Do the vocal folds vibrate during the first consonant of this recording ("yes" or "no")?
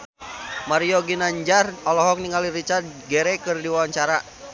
yes